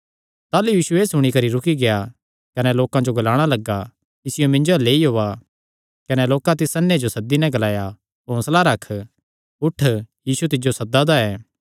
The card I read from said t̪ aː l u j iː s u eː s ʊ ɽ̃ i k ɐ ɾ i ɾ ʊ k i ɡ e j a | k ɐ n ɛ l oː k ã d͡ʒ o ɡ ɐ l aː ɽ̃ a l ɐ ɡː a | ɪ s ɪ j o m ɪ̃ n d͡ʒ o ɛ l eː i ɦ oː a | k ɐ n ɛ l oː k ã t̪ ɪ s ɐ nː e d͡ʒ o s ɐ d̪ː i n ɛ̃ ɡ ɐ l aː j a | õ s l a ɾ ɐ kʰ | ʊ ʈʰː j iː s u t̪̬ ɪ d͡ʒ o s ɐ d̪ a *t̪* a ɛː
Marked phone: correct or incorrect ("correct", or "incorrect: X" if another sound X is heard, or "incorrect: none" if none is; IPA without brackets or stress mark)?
incorrect: d̪